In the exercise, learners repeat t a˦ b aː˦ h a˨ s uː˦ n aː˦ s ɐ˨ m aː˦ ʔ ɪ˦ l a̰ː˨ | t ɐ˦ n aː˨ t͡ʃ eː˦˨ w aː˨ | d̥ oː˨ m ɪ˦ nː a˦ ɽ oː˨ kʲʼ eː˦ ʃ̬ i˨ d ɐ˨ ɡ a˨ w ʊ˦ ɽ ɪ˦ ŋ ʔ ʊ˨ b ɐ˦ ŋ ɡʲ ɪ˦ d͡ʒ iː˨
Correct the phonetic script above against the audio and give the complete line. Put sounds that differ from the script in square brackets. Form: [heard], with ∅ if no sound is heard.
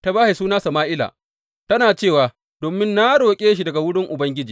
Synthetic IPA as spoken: t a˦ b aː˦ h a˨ s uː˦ n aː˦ s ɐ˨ m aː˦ ʔ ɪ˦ l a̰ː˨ | t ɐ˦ n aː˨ t͡ʃ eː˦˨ w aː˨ | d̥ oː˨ m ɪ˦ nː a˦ ɽ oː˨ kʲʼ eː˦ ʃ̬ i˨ d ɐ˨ ɡ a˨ w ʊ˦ ɽ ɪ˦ ŋ ʔ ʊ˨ b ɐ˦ ŋ ɡʲ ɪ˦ d͡ʒ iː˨